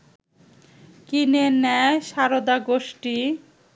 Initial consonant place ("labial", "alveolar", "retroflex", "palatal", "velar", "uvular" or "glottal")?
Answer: velar